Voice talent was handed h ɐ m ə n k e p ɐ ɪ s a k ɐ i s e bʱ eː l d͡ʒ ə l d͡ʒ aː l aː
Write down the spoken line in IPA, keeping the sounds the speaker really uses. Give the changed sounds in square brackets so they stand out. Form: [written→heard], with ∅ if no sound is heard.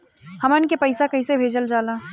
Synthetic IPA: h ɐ m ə n k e p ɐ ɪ s a k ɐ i s e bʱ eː [l→∅] d͡ʒ ə l d͡ʒ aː l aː